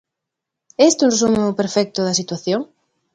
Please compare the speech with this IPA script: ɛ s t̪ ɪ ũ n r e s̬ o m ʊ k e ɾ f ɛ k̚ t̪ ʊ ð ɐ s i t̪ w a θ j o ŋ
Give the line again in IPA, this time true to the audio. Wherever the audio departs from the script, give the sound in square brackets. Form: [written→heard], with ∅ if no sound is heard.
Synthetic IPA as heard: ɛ s t̪ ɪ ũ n r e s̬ [o→u] m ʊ [k→p] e ɾ f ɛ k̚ t̪ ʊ ð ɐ s i t̪ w a θ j o ŋ